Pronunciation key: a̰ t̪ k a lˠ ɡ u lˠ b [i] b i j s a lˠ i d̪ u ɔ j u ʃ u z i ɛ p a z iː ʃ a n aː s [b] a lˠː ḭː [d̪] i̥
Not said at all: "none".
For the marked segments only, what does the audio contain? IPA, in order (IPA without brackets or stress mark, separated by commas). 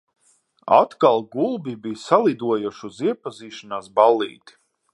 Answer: i, b, t̪